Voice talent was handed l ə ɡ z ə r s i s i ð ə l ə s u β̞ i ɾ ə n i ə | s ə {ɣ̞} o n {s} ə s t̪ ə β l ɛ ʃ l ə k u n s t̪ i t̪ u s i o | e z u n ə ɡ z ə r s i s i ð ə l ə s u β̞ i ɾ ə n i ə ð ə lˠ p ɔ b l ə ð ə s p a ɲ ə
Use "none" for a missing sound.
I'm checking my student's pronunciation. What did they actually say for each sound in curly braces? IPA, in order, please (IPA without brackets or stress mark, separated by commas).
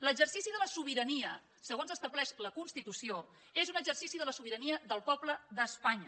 ɣ̞, z